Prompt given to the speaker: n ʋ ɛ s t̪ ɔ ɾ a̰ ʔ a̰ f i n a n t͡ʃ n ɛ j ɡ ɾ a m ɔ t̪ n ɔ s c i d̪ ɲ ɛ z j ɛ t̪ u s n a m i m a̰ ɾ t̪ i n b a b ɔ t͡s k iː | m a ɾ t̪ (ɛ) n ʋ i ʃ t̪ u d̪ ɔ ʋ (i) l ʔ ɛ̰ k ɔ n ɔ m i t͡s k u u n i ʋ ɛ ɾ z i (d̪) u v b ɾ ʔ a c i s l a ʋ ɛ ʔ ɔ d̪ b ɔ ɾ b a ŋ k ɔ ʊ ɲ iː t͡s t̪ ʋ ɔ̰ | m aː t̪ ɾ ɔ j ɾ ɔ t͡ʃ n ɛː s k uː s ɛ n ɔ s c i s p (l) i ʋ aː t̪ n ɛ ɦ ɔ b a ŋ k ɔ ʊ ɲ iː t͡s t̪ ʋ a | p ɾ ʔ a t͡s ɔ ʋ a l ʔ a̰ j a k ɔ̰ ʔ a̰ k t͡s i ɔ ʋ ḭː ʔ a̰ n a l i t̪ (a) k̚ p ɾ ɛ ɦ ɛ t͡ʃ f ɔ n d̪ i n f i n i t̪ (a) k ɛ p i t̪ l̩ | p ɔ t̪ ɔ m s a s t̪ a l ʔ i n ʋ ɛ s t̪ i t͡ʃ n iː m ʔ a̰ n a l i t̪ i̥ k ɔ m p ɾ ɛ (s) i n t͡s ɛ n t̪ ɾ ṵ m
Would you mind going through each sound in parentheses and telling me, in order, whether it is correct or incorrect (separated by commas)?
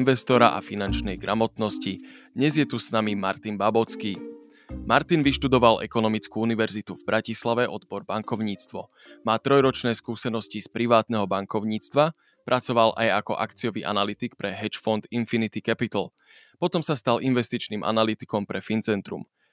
incorrect, incorrect, incorrect, incorrect, incorrect, incorrect, incorrect